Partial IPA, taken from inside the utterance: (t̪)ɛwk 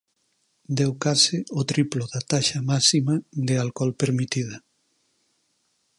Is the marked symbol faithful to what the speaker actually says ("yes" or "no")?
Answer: no